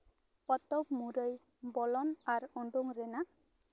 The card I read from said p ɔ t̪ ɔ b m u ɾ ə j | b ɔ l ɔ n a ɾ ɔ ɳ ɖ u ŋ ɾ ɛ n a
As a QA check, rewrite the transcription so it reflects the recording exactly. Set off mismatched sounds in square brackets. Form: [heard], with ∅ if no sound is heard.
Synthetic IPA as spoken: p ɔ t̪ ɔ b m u ɾ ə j | b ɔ l ɔ n a ɾ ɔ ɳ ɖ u ŋ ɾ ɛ n a